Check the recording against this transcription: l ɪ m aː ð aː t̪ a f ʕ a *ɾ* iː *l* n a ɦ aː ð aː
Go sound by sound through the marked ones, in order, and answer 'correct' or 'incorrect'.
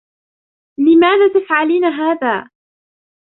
incorrect, incorrect

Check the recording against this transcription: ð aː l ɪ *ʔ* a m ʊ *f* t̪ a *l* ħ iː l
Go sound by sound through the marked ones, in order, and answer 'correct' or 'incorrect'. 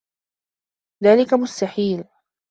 incorrect, incorrect, incorrect

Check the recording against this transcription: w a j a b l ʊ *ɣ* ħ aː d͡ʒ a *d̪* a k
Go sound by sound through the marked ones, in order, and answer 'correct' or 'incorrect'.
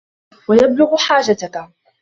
correct, incorrect

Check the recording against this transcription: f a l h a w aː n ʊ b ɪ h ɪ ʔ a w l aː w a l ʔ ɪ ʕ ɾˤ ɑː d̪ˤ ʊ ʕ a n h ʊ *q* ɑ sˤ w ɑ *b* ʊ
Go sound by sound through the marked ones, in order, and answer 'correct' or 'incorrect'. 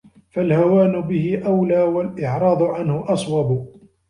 incorrect, correct

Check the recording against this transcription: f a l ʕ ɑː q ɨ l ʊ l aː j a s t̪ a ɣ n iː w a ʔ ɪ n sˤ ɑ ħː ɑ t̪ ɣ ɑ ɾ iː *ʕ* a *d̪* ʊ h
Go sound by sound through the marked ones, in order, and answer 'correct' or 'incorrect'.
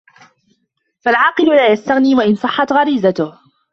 incorrect, incorrect

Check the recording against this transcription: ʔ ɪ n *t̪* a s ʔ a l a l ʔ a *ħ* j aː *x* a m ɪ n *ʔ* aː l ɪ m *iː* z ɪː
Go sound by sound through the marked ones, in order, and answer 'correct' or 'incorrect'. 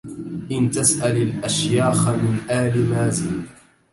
correct, incorrect, correct, correct, incorrect

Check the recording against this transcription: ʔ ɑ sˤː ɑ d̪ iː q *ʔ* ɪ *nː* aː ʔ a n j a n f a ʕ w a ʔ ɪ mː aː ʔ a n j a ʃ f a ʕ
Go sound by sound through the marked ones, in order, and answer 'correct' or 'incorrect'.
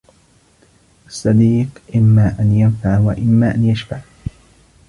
correct, incorrect

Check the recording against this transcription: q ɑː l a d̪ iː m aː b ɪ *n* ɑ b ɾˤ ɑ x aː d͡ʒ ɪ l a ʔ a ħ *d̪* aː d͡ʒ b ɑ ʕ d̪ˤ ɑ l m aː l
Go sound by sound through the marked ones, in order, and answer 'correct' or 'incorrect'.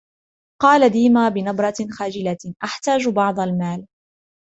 correct, incorrect

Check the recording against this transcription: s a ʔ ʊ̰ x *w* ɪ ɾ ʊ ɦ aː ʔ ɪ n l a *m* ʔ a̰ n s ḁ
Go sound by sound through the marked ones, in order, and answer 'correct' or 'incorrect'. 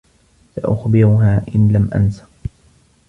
incorrect, correct

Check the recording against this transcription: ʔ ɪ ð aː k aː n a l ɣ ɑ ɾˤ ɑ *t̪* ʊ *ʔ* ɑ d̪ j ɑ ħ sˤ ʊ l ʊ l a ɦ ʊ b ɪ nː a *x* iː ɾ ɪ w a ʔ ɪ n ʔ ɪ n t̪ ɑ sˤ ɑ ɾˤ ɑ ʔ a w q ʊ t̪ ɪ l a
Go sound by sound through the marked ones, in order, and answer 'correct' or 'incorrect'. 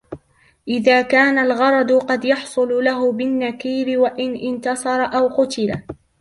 incorrect, incorrect, incorrect

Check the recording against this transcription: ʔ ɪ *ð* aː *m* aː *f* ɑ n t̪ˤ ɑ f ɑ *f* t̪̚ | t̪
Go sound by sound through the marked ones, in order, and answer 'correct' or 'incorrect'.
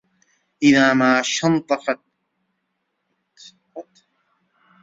correct, correct, incorrect, incorrect

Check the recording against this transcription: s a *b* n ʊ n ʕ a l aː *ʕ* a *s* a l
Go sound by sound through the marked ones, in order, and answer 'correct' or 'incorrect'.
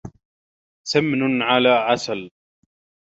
incorrect, correct, correct

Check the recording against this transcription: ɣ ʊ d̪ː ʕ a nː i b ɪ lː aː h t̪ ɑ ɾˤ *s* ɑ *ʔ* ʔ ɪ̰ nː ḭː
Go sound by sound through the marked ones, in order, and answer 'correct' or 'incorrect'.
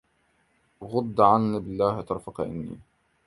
incorrect, incorrect

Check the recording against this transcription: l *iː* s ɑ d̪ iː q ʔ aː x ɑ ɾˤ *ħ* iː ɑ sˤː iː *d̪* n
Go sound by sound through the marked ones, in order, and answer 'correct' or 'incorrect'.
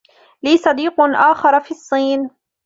correct, incorrect, incorrect

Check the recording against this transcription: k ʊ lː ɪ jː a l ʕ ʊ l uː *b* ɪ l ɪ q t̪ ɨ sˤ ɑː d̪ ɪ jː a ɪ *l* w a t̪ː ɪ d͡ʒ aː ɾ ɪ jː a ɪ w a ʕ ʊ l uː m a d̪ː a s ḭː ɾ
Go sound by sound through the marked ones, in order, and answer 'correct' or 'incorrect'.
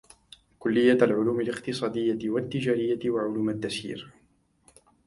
incorrect, incorrect

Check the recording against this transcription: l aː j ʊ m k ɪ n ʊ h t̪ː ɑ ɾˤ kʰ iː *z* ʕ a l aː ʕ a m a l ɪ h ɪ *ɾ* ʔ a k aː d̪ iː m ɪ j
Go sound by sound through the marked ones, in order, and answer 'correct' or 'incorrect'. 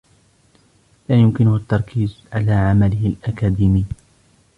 correct, incorrect

